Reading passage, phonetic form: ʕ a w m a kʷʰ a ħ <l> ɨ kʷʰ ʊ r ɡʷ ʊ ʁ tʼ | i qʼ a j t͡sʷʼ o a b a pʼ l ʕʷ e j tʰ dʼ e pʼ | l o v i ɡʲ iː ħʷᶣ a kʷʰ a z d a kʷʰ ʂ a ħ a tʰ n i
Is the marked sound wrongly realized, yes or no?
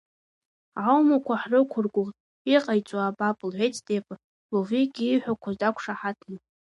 yes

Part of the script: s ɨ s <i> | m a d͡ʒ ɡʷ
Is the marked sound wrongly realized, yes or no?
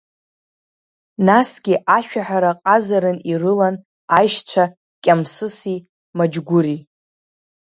no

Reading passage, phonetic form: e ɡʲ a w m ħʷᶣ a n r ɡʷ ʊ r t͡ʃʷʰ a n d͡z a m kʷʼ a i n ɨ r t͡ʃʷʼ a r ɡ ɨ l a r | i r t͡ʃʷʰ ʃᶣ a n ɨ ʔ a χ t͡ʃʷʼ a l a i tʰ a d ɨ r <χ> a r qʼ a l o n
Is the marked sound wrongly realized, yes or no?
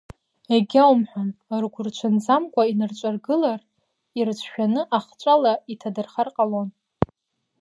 no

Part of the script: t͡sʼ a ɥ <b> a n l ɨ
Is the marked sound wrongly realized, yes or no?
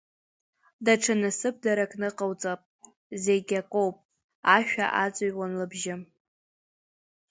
yes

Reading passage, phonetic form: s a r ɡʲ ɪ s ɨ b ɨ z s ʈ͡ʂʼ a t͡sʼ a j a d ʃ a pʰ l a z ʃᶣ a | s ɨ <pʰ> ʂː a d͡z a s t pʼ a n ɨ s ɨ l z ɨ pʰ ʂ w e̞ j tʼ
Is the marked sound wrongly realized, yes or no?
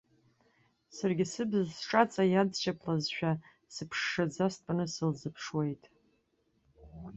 no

